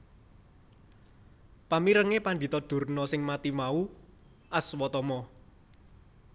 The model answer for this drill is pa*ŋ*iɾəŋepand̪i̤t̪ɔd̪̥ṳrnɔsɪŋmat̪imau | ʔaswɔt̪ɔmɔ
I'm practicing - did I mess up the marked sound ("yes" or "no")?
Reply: yes